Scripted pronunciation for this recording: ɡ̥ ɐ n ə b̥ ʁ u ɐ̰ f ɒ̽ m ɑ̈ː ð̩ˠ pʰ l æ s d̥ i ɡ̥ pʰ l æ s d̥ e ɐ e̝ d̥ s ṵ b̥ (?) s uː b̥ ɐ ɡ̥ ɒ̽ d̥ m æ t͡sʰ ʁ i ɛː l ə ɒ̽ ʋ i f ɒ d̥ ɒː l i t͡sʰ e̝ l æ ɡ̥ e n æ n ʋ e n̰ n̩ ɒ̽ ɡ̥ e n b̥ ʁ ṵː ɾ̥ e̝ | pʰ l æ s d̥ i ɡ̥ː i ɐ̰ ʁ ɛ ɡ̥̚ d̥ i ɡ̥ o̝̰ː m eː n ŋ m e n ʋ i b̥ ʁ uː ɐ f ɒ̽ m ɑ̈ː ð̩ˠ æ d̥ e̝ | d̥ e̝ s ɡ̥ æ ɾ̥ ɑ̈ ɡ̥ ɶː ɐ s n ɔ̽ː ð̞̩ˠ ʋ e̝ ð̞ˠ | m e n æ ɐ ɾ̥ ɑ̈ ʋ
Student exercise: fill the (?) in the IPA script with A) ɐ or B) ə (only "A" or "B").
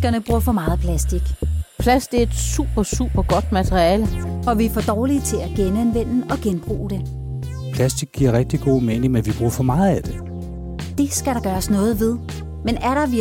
A